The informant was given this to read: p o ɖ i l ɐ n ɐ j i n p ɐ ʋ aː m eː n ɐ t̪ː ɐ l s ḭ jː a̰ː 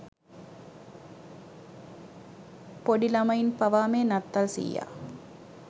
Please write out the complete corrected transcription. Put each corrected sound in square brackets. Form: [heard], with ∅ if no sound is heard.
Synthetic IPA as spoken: p o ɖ i l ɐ [m] ɐ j i n p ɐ ʋ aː m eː n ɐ t̪ː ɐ l s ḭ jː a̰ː